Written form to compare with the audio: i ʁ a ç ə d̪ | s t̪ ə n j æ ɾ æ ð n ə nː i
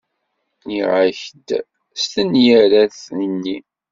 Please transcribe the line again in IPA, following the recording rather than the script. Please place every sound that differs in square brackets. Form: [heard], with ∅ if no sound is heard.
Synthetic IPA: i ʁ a ç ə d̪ | s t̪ ə n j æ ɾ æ [θ] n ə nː i